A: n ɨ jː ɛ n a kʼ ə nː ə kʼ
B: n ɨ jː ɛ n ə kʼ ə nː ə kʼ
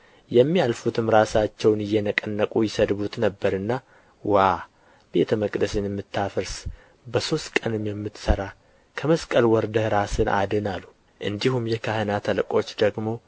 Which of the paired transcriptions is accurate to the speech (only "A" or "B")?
B